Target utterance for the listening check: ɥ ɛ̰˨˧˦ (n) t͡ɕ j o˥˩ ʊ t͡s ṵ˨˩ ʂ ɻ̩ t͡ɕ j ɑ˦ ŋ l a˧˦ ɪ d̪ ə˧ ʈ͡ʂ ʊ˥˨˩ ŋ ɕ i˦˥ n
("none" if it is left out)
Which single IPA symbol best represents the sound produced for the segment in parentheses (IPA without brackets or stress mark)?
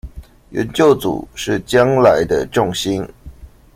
n